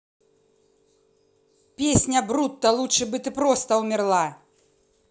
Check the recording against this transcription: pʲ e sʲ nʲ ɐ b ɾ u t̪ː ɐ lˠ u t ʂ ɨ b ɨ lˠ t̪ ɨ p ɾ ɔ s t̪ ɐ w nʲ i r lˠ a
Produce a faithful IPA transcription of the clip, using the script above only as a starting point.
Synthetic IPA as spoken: pʲ e sʲ nʲ ɐ b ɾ u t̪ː ɐ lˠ u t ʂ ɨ b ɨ t̪ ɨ p ɾ ɔ s t̪ ɐ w mʲ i r lˠ a